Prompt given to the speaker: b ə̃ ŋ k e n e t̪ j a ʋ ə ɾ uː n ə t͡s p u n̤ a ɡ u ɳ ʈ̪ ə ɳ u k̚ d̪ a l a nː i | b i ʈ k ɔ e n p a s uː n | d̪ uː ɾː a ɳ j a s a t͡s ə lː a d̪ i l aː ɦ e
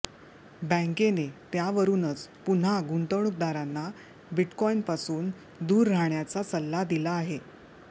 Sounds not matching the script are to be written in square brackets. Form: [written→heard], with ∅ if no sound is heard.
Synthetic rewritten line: b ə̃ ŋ k e n e t̪ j a ʋ ə ɾ uː n ə t͡s p u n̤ a ɡ u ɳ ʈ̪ ə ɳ u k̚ d̪ a [l→ɾ] a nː [i→a] | b i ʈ k ɔ [e→i] n p a s uː n | d̪ uː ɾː a ɳ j a [s→t͡s] a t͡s ə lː a d̪ i l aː ɦ e